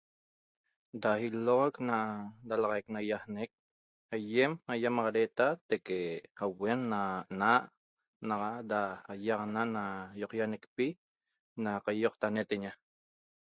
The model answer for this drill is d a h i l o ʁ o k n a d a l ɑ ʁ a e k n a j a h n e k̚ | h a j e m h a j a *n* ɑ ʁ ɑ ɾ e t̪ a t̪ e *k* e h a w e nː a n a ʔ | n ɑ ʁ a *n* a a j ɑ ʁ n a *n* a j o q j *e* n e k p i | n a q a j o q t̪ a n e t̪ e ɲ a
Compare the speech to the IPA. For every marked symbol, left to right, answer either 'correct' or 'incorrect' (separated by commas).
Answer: incorrect, correct, incorrect, correct, incorrect